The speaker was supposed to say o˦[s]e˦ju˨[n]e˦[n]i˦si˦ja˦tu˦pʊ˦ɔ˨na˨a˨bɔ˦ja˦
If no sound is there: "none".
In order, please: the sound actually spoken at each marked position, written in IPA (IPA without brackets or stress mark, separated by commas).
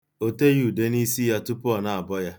t, d, n